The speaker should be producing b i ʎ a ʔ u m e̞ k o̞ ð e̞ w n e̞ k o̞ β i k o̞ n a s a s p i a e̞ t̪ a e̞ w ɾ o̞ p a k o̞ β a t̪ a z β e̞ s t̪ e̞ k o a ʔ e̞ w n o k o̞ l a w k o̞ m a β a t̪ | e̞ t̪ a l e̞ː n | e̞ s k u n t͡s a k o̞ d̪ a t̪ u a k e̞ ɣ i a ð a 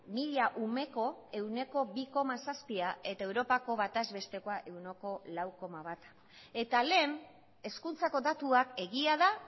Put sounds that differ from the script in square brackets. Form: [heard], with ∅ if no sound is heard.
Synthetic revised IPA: [m] i ʎ a ʔ u m e̞ k o̞ [∅] e̞ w n e̞ k o̞ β i k o̞ [m] a s a s p i a e̞ t̪ a e̞ w ɾ o̞ p a k o̞ β a t̪ a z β e̞ s t̪ e̞ k o a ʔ e̞ w n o k o̞ l a w k o̞ m a β a t̪ | e̞ t̪ a l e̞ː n | e̞ s k u n t͡s a k o̞ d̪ a t̪ u a k e̞ ɣ i a ð a